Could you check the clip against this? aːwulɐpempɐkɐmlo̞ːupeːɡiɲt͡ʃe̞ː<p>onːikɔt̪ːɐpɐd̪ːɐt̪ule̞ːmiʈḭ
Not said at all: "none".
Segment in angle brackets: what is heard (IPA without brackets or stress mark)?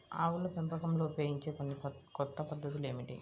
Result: k